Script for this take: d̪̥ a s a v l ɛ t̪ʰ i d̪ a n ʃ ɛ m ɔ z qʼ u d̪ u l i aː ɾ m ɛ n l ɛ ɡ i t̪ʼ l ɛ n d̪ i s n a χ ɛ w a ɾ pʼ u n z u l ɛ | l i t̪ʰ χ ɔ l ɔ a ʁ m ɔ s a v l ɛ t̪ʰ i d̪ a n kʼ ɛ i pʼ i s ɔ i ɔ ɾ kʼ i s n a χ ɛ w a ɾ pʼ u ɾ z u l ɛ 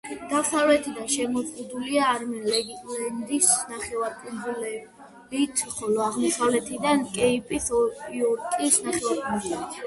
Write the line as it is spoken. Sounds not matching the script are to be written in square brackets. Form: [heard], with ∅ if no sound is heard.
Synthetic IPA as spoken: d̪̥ a s a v l ɛ t̪ʰ i d̪ a n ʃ ɛ m ɔ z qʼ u d̪ u l i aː ɾ m ɛ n l ɛ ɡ i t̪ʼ l ɛ n d̪ i s n a χ ɛ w a ɾ pʼ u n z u l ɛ | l i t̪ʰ χ ɔ l ɔ a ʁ m ɔ s a v l ɛ t̪ʰ i d̪ a n kʼ ɛ i pʼ i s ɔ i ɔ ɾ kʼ i s n a χ ɛ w a ɾ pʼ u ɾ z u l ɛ